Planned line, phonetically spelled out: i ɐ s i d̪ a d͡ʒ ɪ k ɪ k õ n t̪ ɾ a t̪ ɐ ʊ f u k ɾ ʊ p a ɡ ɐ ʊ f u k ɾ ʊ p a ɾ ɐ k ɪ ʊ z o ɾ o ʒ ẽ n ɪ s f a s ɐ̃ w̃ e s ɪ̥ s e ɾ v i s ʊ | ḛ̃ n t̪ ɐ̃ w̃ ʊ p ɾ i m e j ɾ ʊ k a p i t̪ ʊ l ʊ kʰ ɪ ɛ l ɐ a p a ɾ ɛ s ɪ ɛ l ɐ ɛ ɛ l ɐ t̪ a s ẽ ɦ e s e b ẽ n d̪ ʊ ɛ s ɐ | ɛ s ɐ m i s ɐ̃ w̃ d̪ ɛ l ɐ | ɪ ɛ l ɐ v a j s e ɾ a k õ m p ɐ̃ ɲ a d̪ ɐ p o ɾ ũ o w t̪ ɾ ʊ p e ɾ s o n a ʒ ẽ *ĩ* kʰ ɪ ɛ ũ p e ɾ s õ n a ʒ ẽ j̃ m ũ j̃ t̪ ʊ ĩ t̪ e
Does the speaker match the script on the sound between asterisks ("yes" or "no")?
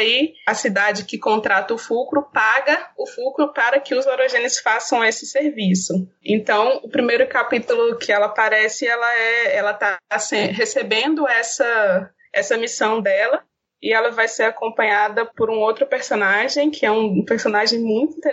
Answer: no